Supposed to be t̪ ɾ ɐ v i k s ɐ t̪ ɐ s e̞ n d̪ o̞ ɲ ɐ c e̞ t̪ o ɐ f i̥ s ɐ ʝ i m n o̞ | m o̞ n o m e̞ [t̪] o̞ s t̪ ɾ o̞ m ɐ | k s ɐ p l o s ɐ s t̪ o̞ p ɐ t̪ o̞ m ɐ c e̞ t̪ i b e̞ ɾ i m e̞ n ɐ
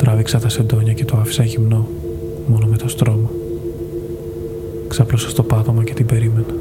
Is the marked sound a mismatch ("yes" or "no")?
no